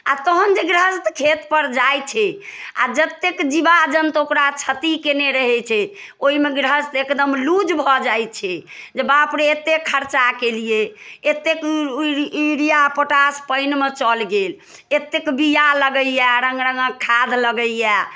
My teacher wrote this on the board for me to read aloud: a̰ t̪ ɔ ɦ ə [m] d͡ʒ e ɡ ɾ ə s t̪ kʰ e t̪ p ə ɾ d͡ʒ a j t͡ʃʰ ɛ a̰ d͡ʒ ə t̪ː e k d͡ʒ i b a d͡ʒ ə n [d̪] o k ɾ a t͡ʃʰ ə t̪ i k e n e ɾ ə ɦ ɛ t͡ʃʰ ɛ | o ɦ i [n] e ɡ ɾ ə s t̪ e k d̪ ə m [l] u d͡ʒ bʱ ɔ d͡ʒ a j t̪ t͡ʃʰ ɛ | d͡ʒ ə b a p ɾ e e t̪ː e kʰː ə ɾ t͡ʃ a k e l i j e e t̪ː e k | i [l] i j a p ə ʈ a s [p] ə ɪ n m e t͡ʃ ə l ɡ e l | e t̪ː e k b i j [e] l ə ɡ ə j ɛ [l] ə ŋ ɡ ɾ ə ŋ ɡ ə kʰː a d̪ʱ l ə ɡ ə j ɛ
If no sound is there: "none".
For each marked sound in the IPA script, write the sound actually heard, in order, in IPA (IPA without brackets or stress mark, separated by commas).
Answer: n, t̪, m, l, ɾ, p, a, ɾ